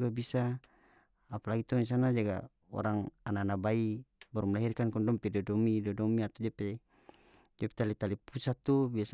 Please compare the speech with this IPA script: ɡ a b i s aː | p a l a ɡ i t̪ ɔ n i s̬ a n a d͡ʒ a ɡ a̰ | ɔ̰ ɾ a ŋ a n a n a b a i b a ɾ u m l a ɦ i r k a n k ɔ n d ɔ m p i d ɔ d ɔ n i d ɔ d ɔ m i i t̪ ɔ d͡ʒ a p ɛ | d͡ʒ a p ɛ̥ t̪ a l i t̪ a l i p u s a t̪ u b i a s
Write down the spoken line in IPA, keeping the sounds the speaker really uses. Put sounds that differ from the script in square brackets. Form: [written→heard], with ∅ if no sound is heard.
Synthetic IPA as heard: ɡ a b i s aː | p a l a ɡ i t̪ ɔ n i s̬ a n a d͡ʒ a ɡ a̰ | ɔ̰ ɾ a ŋ a n a n a b a i b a ɾ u m l a ɦ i r k a n k ɔ n d ɔ m p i d ɔ d ɔ [n→m] i d ɔ d ɔ m i [i→a] t̪ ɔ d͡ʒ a p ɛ | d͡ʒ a p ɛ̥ t̪ a l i t̪ a l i p u s a t̪ u b i a s